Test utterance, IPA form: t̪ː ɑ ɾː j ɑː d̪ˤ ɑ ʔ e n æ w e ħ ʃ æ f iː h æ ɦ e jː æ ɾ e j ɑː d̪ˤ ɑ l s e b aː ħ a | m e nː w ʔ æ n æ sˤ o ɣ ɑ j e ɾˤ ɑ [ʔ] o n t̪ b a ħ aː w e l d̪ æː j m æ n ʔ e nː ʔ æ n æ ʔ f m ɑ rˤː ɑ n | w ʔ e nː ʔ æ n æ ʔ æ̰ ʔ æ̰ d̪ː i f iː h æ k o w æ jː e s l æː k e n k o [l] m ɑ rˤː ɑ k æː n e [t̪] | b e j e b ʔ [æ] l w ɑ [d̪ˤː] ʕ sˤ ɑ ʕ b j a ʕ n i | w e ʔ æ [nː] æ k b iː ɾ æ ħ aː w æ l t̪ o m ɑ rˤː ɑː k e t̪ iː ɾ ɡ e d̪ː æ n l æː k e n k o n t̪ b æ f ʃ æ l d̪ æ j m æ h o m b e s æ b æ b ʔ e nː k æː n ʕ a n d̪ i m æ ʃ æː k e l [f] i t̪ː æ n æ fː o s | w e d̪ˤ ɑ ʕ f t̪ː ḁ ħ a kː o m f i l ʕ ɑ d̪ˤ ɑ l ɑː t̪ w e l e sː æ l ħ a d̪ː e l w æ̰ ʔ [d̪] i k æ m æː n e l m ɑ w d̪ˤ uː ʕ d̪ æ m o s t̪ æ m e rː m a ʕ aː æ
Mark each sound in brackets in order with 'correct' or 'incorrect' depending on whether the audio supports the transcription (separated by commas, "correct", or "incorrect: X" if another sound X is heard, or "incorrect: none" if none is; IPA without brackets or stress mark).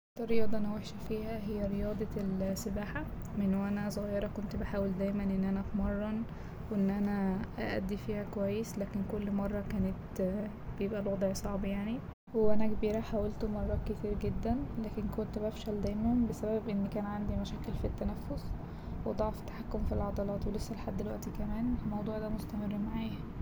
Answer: incorrect: k, incorrect: lː, correct, correct, incorrect: d̪ˤ, incorrect: n, correct, incorrect: t̪